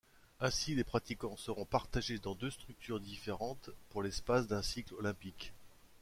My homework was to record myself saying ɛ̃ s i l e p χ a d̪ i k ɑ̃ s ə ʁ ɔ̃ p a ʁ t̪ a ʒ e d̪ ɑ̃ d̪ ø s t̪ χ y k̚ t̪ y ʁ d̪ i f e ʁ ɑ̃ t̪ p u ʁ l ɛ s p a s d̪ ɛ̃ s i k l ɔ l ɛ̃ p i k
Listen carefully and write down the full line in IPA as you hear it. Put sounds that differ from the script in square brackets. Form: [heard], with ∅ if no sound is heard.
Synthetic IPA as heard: ɛ̃ s i l e p χ a [t̪] i k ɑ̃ s ə ʁ ɔ̃ p a ʁ t̪ a ʒ e d̪ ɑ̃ d̪ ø s t̪ χ y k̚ t̪ y ʁ d̪ i f e ʁ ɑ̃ t̪ p u ʁ l ɛ s p a s d̪ ɛ̃ s i k l ɔ l ɛ̃ p i k